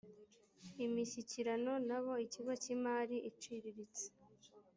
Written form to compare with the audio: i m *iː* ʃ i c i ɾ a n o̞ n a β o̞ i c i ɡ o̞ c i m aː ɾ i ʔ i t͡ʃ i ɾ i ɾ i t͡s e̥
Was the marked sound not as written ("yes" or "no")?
yes